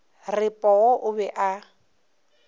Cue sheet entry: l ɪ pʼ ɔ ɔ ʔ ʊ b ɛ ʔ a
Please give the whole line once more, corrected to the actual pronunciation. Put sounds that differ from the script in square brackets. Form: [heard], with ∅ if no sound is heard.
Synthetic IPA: [r] ɪ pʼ ɔ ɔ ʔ ʊ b ɛ ʔ a